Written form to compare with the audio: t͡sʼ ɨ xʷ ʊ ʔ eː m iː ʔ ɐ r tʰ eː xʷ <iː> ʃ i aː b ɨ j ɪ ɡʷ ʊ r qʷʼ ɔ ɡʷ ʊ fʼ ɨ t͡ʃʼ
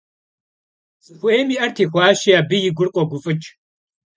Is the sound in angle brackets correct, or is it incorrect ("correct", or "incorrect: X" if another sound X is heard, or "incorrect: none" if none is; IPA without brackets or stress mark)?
incorrect: aː